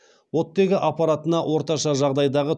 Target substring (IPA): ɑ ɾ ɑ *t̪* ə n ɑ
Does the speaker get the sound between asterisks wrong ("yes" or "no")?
no